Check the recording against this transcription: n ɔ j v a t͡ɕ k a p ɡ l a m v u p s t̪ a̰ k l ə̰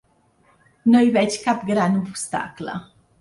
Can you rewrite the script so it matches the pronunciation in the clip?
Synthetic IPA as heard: n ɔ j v ɛ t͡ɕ k a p ɡ ɾ a n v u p s t̪ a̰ k l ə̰